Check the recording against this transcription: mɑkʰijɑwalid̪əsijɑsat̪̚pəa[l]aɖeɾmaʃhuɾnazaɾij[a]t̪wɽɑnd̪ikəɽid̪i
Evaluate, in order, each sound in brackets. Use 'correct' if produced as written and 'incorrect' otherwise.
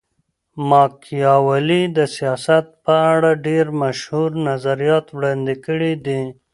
incorrect: ɽ, incorrect: ɑ

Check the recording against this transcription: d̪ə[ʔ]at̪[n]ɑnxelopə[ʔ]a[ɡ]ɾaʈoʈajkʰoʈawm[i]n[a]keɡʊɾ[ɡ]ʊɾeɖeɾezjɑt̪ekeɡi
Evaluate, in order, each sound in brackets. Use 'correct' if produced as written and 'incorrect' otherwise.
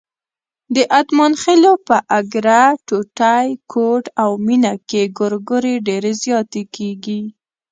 correct, incorrect: m, correct, correct, correct, correct, correct

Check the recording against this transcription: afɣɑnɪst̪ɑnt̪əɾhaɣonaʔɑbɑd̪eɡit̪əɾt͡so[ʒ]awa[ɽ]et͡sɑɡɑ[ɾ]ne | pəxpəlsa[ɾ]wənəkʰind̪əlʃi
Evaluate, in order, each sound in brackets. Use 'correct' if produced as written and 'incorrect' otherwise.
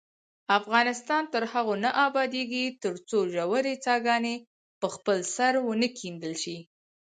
correct, incorrect: ɾ, incorrect: none, correct

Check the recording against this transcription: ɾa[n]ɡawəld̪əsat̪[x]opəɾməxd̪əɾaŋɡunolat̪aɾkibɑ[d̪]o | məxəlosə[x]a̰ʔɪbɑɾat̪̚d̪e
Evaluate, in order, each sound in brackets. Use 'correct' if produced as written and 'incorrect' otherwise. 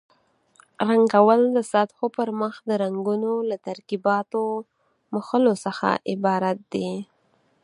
incorrect: ŋ, correct, incorrect: t̪, correct

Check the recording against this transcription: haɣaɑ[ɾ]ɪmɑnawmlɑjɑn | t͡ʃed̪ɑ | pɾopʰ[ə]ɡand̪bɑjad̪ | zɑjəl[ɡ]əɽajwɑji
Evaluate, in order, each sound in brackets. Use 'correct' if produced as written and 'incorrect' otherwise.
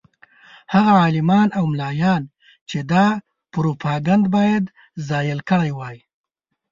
incorrect: l, incorrect: ɑ, incorrect: k

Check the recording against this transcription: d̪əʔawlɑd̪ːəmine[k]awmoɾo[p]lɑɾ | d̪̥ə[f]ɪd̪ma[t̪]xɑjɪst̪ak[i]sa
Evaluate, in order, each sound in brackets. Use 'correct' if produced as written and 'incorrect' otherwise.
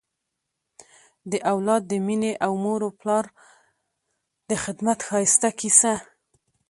incorrect: ʔ, correct, incorrect: x, correct, correct

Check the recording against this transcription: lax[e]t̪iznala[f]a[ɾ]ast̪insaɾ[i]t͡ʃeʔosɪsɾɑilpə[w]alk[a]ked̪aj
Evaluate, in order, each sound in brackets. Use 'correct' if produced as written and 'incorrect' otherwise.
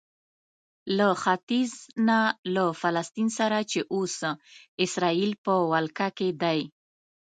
incorrect: a, correct, incorrect: l, incorrect: a, correct, correct

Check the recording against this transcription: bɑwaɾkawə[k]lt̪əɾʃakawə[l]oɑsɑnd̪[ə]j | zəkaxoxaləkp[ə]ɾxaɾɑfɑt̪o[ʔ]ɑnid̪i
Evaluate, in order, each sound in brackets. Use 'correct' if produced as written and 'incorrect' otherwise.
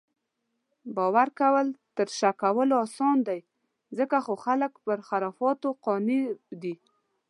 incorrect: none, correct, incorrect: a, correct, incorrect: q

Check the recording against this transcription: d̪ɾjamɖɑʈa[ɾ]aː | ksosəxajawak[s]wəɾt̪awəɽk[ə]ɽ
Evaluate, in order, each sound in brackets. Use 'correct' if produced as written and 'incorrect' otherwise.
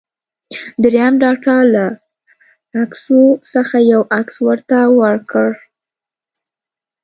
incorrect: l, correct, correct

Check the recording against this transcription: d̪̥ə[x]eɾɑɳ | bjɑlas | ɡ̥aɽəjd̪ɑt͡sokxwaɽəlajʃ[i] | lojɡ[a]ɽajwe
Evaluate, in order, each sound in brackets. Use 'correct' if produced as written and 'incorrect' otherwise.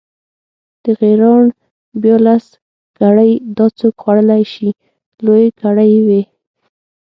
incorrect: ɣ, correct, correct

